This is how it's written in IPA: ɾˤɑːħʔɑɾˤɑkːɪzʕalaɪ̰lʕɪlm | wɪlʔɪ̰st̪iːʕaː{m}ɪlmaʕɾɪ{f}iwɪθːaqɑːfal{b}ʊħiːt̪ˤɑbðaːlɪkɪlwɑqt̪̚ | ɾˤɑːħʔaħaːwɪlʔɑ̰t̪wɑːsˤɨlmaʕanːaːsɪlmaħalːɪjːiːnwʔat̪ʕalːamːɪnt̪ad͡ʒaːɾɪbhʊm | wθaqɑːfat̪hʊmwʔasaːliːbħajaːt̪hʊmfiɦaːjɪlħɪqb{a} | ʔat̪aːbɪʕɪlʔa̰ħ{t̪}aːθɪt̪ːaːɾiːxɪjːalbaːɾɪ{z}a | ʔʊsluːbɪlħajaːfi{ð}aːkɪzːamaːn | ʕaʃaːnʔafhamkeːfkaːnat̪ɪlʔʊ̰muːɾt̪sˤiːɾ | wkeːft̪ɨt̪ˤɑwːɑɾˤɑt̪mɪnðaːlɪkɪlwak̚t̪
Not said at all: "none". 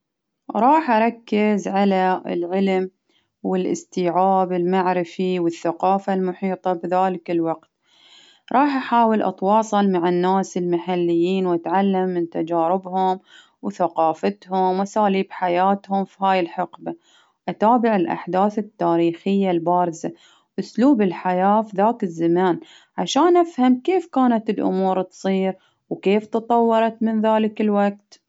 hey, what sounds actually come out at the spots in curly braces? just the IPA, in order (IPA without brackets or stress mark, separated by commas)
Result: b, f, m, a, d̪, z, ð